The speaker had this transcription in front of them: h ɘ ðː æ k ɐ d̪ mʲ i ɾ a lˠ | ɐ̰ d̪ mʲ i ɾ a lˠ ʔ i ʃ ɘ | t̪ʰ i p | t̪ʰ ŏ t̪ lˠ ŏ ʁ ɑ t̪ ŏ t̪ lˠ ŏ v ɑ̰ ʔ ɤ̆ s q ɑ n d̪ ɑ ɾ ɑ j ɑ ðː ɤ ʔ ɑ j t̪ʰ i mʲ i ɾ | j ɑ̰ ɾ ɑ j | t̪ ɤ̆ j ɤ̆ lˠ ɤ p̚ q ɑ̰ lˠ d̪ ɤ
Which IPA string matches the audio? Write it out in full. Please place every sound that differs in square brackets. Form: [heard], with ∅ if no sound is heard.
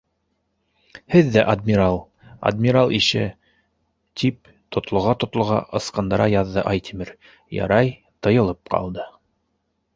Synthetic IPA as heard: h ɘ ðː æ [ʔ] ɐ d̪ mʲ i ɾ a lˠ | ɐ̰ d̪ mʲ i ɾ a lˠ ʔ i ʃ ɘ | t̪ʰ i p | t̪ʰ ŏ t̪ lˠ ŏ ʁ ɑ t̪ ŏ t̪ lˠ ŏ [ʁ] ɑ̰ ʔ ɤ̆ s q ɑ n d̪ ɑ ɾ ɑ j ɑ ðː ɤ ʔ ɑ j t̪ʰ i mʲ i ɾ | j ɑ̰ ɾ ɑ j | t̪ ɤ̆ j ɤ̆ lˠ ɤ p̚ q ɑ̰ lˠ d̪ ɤ